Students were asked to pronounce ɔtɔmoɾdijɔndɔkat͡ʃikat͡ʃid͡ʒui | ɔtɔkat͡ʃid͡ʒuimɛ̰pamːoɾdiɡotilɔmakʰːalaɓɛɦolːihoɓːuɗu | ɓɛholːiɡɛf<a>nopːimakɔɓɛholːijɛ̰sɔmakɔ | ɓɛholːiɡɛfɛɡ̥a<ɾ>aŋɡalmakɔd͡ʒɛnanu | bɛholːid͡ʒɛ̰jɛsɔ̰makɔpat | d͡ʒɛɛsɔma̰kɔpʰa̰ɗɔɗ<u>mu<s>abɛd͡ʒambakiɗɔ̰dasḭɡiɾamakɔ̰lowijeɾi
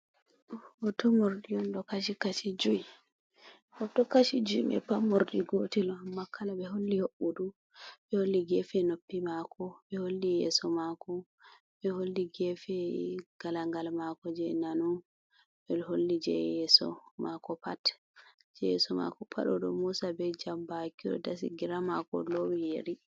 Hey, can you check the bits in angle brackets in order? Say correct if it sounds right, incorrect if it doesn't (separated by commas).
incorrect, incorrect, incorrect, correct